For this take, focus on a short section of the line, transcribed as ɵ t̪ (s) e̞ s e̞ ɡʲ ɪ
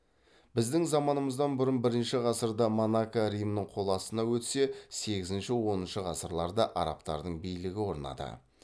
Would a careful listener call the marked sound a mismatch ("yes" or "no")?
no